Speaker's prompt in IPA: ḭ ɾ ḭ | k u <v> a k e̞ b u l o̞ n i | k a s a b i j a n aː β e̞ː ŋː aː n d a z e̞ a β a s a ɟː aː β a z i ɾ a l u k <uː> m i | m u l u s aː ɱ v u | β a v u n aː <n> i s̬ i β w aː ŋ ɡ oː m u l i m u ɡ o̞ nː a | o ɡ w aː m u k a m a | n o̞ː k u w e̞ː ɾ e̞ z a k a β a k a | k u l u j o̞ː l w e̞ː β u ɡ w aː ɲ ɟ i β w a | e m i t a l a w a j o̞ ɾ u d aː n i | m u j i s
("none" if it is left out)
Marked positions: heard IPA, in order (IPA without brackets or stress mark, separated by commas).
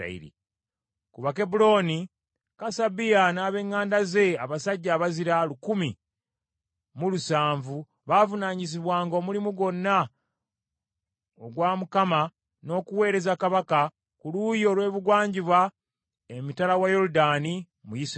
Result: β, u, ɲ